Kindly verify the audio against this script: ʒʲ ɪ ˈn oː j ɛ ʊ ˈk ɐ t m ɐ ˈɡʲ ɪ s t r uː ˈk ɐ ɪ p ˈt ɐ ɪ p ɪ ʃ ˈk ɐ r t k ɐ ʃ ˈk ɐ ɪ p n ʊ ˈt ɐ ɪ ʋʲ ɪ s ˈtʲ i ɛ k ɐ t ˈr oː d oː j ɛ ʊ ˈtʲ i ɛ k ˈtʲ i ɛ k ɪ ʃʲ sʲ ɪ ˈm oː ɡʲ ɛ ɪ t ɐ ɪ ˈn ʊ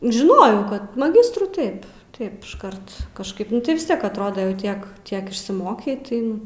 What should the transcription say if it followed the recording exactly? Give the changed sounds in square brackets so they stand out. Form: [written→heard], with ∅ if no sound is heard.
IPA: ʒʲ ɪ ˈn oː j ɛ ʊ ˈk ɐ t m ɐ ˈɡʲ ɪ s t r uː [ˈk→ˈt] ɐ ɪ p ˈt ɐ ɪ p ɪ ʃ ˈk ɐ r t k ɐ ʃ ˈk ɐ ɪ p n ʊ ˈt ɐ ɪ ʋʲ ɪ s ˈtʲ i ɛ k ɐ t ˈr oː d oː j ɛ ʊ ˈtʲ i ɛ k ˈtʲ i ɛ k ɪ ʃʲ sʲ ɪ ˈm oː [ɡʲ→kʲ] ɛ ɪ t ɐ ɪ ˈn ʊ